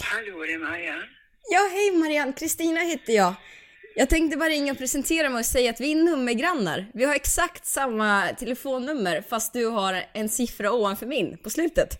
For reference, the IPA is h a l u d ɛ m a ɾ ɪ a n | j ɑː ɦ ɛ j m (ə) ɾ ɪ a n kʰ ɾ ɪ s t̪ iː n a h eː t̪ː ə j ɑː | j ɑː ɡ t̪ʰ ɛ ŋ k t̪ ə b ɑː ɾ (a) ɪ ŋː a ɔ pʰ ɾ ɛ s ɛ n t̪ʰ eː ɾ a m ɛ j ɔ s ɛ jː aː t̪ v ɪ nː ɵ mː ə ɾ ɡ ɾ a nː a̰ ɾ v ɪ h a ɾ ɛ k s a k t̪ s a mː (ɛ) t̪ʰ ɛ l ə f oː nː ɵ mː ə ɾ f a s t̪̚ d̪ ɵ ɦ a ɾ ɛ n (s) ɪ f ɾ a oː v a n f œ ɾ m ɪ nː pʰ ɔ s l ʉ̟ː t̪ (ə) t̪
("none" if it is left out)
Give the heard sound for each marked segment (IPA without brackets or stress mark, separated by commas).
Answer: a, a, a, s, ə